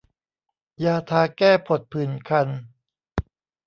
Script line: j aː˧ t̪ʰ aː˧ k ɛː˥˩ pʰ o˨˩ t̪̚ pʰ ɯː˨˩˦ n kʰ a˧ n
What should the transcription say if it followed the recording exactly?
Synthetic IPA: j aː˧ t̪ʰ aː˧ k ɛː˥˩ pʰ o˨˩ t̪̚ pʰ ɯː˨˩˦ n kʰ a˧ n